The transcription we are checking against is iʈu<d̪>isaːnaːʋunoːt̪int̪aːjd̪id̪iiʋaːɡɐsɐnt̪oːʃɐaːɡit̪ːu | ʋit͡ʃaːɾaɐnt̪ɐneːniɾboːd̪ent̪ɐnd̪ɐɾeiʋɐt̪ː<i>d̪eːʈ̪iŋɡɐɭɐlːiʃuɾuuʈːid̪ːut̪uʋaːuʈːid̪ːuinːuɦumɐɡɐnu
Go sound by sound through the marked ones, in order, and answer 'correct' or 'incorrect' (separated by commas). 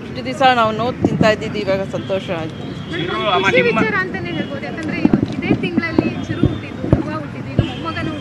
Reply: correct, correct